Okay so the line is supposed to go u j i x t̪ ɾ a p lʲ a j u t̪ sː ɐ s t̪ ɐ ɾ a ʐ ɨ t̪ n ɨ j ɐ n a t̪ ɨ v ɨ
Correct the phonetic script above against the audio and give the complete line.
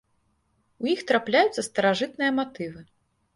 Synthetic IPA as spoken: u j i x t̪ ɾ a p lʲ a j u t̪ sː ɐ s t̪ ɐ ɾ a ʐ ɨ t̪ n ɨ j ɐ m a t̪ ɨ v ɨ